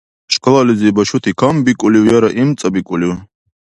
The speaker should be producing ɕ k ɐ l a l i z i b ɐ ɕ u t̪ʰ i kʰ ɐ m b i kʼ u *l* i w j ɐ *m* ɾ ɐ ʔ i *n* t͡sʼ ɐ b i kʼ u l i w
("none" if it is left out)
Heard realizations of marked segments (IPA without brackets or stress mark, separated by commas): l, none, m